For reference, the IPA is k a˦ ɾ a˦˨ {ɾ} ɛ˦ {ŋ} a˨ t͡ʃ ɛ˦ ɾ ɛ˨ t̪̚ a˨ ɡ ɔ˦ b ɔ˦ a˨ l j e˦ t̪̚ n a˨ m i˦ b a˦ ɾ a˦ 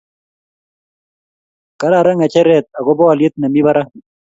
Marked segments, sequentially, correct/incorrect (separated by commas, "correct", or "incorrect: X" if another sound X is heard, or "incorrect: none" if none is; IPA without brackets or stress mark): correct, correct